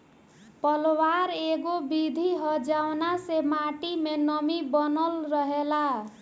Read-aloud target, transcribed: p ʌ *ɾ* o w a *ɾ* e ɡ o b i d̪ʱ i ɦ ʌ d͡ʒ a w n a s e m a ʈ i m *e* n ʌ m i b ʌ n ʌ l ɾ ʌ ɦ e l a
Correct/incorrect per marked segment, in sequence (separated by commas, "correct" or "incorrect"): incorrect, correct, correct